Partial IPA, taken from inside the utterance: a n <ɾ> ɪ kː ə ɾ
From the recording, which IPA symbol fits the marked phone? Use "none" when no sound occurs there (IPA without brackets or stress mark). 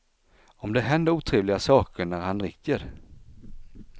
ɾ